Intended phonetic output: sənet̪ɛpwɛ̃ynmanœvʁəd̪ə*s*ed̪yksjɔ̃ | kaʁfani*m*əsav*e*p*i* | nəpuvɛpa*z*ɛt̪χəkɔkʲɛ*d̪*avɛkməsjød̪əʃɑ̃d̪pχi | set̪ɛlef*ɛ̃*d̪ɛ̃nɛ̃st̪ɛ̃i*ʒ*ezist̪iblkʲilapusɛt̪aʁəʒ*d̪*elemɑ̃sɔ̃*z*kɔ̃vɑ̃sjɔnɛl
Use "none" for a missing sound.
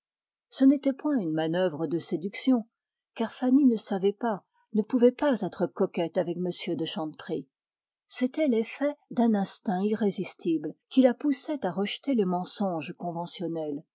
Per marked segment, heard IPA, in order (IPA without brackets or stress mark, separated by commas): s, n, ɛ, a, z, t̪, ɛ, ʁ, t̪, ʒ